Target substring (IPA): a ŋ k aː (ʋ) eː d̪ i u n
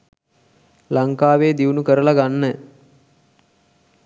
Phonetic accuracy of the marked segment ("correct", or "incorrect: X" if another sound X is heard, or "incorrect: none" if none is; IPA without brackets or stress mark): correct